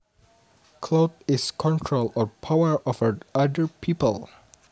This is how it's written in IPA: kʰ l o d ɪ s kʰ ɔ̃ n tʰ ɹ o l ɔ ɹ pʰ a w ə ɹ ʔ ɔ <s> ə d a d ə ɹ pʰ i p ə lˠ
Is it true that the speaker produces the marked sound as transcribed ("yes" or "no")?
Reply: no